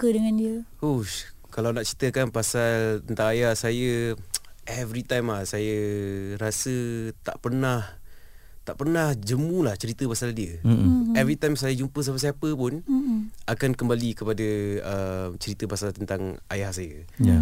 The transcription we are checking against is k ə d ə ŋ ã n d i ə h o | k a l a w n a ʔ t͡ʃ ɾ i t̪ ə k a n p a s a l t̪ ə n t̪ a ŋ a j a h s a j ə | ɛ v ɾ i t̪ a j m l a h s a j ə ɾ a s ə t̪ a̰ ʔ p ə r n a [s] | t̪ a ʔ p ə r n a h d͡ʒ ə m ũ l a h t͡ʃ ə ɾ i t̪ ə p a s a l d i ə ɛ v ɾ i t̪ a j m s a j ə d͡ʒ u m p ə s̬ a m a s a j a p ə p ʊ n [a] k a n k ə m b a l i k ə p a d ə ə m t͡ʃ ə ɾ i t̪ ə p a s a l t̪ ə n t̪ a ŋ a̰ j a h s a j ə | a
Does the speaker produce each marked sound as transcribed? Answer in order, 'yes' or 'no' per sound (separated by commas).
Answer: no, yes